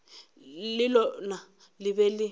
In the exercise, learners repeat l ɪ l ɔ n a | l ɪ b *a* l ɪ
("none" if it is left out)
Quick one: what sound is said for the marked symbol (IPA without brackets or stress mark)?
ɛ